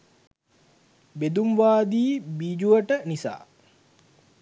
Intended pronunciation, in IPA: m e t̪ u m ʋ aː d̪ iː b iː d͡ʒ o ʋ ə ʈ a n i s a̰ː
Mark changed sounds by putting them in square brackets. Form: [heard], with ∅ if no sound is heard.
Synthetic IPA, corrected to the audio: [b] e [d̪] u m ʋ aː d̪ iː b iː d͡ʒ [u] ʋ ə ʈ [ə] n i s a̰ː